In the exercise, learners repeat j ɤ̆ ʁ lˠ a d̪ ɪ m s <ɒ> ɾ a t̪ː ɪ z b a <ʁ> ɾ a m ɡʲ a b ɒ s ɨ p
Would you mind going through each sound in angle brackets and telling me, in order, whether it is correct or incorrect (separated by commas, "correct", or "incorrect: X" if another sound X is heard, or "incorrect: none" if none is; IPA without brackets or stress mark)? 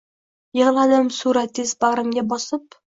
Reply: incorrect: u, correct